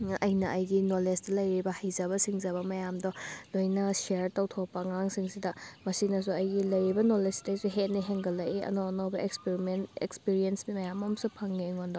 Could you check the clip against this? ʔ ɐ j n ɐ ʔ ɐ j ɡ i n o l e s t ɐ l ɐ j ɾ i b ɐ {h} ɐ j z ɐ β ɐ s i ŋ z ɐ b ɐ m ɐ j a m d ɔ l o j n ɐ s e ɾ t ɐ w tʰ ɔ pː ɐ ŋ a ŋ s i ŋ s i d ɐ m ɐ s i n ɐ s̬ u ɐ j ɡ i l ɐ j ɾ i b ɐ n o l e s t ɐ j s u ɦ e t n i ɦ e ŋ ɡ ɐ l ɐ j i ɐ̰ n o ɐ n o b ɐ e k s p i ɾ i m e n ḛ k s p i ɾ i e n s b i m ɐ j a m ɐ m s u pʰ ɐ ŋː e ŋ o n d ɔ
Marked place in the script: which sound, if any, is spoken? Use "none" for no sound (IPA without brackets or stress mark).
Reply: h